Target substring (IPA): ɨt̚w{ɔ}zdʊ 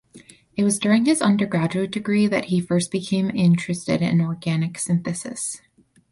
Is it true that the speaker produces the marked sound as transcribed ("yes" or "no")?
no